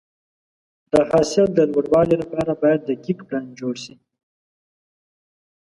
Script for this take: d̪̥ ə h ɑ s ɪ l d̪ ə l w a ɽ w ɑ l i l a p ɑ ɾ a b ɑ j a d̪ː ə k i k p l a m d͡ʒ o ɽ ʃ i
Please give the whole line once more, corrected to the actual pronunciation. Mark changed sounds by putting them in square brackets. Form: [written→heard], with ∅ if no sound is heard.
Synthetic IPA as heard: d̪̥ ə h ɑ s ɪ l d̪ ə l w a ɽ w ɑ l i l a p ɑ ɾ a b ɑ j a d̪ː ə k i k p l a [m→n] d͡ʒ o ɽ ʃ i